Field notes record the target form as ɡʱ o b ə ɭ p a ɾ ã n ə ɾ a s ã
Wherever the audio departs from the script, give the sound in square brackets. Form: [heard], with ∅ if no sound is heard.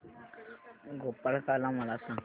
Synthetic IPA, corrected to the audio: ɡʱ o [p] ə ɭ [k] a [l] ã [m] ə [l] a s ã